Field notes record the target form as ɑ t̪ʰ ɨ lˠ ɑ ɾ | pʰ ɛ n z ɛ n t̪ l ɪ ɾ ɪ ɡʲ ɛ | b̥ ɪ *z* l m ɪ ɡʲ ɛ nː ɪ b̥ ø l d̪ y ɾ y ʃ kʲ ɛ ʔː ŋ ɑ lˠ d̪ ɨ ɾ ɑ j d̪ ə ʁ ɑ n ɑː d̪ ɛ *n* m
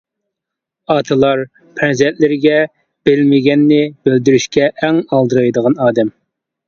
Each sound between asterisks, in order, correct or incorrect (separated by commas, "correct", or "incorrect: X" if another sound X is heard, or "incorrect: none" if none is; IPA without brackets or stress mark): incorrect: none, incorrect: none